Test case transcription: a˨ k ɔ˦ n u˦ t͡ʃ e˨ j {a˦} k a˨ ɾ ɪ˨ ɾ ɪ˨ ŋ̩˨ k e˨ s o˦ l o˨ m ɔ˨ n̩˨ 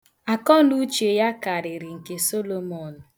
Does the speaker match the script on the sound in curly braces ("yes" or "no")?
yes